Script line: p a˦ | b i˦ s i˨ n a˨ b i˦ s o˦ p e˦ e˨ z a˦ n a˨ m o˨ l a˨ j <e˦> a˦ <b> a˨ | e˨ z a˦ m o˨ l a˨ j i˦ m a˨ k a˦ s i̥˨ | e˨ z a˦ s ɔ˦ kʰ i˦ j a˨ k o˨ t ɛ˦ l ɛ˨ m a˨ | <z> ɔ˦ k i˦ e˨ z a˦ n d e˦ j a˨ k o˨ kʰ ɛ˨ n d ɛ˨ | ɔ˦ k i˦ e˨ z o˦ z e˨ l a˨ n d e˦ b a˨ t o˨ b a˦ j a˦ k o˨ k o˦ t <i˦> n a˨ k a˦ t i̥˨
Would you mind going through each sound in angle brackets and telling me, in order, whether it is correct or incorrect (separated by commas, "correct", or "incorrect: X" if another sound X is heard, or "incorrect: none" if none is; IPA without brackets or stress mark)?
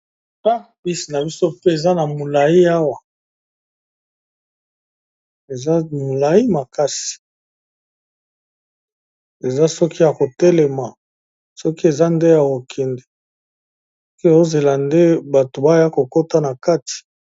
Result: incorrect: i˦, incorrect: w, incorrect: s, incorrect: a˦